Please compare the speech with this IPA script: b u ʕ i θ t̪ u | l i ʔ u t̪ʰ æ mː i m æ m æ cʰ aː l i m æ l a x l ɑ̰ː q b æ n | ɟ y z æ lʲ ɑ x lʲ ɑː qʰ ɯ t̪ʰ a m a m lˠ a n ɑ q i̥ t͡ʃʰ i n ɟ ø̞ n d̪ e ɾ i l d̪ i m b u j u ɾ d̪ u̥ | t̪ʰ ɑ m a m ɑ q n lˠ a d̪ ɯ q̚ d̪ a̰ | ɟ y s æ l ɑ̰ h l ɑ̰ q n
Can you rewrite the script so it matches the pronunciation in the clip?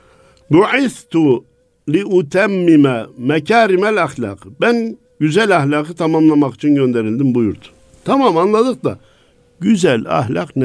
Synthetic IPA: b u ʕ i θ t̪ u | l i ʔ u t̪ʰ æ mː i m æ m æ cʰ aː ɾ i m æ l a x l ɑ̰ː q b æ n | ɟ y z æ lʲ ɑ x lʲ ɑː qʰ ɯ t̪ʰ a m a m lˠ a m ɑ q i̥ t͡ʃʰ i n ɟ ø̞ n d̪ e ɾ i l d̪ i m b u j u ɾ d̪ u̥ | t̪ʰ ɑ m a m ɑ n lˠ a d̪ ɯ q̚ d̪ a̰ | ɟ y z æ l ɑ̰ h l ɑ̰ q n